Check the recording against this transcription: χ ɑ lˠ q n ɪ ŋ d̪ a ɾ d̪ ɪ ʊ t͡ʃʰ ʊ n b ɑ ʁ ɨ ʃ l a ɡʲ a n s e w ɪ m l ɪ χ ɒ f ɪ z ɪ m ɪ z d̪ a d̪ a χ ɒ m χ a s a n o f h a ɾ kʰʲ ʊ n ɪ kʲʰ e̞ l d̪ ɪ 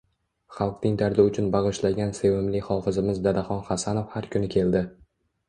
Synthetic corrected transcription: χ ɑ lˠ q n ɪ ŋ d̪ a ɾ d̪ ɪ ʊ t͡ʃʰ ʊ n b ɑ ʁ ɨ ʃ l a ɡʲ a n s e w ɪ m l ɪ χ ɒ f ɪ z ɪ m ɪ z d̪ a d̪ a χ ɒ n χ a s a n o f h a ɾ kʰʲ ʊ n ɪ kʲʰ e̞ l d̪ ɪ